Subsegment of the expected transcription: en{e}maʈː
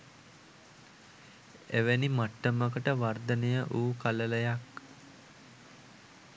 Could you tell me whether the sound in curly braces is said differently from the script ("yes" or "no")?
yes